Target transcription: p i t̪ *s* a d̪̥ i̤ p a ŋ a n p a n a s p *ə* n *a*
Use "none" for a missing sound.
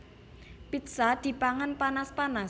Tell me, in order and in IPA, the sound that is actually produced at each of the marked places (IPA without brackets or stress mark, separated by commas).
s, a, a